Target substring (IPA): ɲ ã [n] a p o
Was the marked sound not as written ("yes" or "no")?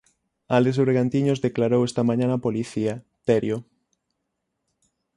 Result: no